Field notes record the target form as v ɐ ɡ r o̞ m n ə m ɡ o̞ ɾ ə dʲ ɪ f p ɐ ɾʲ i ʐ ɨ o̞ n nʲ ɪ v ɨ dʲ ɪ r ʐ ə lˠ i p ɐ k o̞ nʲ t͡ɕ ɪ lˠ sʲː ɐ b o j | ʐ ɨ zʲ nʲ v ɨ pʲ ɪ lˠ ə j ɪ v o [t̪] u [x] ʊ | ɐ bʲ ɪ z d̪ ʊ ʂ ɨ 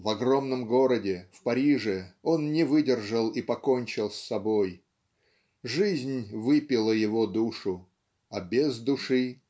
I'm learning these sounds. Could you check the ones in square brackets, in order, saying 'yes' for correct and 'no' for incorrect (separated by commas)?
no, no